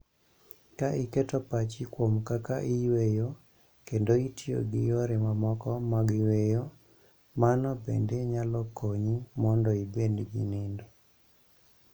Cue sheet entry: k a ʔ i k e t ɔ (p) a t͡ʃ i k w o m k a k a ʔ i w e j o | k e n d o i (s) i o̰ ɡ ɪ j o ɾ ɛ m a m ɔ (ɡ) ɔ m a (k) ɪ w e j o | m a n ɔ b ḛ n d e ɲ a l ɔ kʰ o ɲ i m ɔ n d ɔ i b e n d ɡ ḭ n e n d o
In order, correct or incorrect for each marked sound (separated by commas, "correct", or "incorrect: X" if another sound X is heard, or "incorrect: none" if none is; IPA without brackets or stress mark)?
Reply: correct, incorrect: t, incorrect: k, incorrect: ɡ